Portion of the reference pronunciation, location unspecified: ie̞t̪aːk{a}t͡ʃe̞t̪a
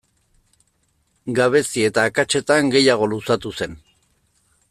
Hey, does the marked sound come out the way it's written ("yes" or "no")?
yes